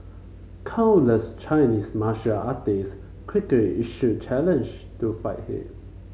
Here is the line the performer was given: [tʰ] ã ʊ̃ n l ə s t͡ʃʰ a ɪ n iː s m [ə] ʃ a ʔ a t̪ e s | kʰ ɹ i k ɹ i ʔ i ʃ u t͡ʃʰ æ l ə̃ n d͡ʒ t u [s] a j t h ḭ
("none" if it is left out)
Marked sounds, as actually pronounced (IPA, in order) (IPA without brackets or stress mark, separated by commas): kʰ, a, f